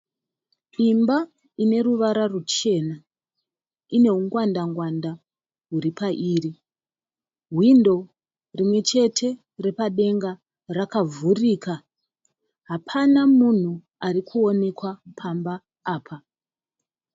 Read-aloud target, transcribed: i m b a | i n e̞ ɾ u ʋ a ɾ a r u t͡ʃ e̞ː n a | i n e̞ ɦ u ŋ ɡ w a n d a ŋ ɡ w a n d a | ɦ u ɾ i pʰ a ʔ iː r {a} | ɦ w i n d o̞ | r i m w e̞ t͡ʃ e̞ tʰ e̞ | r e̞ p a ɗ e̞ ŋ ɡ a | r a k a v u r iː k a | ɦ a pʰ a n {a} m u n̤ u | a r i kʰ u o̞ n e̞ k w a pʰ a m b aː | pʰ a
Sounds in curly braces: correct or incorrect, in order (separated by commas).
incorrect, correct